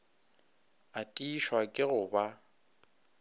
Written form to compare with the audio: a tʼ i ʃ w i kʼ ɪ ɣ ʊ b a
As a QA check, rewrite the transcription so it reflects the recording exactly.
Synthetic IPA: a tʼ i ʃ w a kʼ ɪ ɣ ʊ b a